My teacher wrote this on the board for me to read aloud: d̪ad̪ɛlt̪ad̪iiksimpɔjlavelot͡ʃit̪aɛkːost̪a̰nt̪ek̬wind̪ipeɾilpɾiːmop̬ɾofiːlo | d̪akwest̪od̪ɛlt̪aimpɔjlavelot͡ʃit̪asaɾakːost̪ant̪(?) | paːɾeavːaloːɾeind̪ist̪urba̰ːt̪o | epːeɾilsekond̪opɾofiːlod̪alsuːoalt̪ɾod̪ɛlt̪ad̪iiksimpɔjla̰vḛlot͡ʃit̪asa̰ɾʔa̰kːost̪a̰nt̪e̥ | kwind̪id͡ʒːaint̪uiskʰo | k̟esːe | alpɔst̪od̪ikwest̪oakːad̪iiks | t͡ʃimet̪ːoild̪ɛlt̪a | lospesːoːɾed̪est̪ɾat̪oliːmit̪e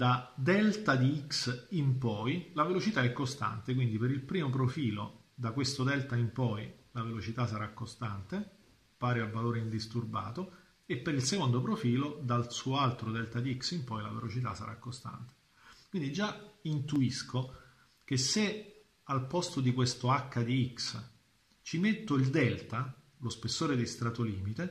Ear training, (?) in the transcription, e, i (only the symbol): e